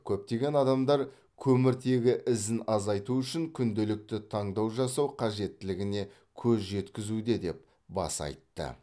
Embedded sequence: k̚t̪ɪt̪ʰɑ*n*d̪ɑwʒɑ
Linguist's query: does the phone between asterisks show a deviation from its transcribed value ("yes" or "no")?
yes